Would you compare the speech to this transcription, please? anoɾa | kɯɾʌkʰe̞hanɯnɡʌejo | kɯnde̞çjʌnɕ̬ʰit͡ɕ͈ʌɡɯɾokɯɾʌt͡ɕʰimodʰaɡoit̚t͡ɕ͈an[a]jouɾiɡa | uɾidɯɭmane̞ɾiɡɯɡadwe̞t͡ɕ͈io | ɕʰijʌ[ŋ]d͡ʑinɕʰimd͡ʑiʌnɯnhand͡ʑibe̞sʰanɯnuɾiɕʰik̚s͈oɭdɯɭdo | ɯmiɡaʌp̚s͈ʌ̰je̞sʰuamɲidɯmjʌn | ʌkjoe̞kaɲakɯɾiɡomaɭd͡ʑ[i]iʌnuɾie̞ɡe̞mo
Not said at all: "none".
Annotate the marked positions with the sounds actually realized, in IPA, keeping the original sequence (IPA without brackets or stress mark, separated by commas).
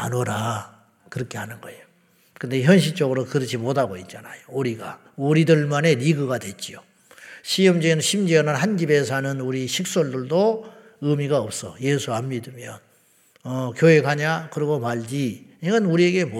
a, m, i